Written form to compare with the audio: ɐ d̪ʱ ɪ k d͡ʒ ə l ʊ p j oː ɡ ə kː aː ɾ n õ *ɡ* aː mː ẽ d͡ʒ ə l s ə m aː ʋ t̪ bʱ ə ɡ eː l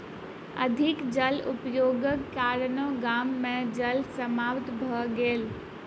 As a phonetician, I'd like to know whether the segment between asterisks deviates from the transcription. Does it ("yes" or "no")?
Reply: no